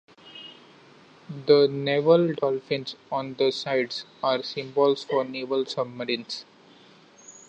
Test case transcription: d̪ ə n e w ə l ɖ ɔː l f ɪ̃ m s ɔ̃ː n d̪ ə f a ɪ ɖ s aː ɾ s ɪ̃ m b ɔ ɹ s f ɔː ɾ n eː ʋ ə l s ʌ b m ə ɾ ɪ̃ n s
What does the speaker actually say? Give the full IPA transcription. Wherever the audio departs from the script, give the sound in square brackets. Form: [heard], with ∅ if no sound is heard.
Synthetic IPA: d̪ ə n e [ʋ] ə l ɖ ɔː l f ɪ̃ [n] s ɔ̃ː n d̪ ə [s] a ɪ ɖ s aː ɾ s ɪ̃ m b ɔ [l] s f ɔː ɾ n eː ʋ ə l s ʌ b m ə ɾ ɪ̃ n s